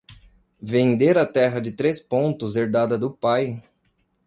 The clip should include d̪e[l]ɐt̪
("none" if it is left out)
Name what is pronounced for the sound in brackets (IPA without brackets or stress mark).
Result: ɾ